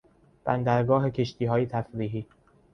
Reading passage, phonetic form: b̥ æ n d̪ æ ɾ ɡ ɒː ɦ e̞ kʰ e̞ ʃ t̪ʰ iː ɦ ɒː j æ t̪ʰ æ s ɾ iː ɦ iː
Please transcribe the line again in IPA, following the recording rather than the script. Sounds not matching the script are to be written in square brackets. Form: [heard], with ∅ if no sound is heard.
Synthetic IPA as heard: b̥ æ n d̪ æ ɾ ɡ ɒː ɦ e̞ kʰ e̞ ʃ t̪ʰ iː ɦ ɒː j [e] t̪ʰ æ [f] ɾ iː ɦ iː